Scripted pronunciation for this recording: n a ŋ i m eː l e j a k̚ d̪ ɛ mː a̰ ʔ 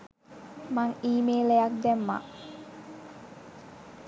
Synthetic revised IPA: m a ŋ iː m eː l e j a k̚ d̪ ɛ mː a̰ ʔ